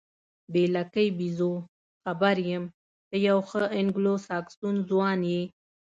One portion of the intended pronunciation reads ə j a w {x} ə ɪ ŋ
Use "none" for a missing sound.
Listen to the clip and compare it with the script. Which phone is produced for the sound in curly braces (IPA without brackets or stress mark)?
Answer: x